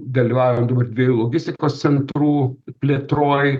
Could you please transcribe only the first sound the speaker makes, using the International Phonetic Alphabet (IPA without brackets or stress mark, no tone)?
d̪